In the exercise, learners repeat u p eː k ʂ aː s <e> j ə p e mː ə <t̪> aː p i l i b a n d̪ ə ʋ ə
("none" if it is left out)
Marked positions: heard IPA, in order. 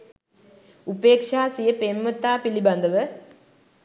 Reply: i, t̪

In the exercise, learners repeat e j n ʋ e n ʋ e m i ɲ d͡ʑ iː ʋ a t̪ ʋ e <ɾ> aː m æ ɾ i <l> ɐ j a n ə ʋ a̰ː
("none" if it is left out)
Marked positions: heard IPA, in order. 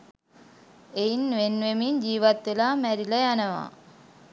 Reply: l, l

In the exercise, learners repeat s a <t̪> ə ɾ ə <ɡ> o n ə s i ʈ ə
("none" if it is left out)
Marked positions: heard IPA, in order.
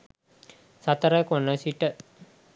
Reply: t̪, k

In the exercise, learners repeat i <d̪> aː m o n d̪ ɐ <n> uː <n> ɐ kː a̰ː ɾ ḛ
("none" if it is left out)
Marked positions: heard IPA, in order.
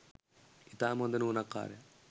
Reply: t̪, n, n

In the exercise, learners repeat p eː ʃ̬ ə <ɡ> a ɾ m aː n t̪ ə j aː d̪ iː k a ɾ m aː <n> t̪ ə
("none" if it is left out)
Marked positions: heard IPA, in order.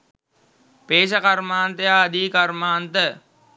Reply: k, n

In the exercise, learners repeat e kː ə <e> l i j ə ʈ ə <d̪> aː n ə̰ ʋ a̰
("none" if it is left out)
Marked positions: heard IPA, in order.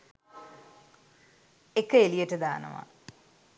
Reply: e, d̪

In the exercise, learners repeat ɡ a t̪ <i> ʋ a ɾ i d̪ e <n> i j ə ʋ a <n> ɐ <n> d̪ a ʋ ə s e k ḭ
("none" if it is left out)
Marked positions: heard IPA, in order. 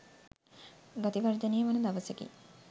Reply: i, n, n, none

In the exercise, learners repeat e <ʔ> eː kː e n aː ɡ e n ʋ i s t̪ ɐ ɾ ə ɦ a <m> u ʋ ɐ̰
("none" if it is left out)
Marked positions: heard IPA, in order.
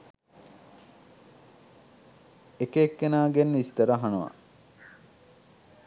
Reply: k, n

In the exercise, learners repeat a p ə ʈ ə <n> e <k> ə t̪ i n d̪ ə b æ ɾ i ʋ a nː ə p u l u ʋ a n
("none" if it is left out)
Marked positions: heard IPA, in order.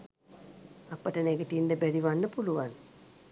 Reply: n, ɡ

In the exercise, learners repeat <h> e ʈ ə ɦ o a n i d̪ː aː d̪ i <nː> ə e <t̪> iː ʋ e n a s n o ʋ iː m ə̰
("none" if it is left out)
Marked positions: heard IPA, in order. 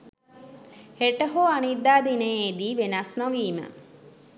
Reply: h, n, d̪

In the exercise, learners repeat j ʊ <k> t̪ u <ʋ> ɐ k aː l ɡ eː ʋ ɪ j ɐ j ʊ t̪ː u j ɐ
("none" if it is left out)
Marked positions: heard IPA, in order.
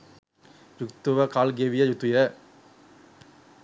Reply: k, ʋ

